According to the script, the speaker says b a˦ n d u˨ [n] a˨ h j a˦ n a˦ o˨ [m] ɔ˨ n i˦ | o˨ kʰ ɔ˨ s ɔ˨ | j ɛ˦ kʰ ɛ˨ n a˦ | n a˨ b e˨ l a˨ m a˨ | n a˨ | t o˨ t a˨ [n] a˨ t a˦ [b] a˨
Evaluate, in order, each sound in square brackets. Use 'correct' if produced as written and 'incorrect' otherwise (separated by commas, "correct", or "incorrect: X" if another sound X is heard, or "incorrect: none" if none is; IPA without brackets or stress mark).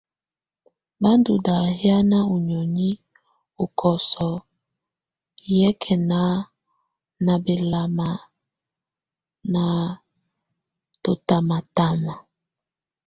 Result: incorrect: d, incorrect: ɲ, incorrect: m, incorrect: m